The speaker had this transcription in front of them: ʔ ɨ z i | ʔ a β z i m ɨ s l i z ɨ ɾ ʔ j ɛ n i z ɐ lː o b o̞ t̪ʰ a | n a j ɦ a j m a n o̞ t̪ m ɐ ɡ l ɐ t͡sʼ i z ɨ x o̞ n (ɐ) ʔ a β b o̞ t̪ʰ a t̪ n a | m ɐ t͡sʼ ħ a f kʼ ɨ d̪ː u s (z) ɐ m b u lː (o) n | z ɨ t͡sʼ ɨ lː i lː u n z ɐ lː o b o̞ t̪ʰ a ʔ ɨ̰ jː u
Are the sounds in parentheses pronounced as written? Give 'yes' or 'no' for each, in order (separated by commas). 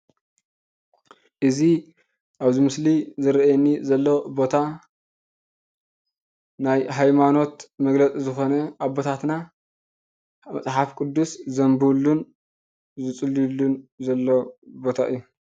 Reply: yes, yes, no